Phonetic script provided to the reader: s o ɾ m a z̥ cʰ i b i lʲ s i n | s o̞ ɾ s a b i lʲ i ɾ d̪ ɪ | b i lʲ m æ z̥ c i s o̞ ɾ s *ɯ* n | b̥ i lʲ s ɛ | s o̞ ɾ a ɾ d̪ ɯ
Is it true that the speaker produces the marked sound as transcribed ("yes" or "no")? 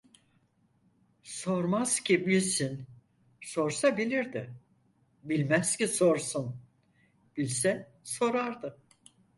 no